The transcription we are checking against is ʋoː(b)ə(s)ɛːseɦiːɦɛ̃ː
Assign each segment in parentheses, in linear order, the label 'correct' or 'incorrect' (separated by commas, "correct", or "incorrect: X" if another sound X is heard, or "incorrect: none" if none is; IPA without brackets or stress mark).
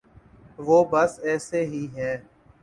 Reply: correct, correct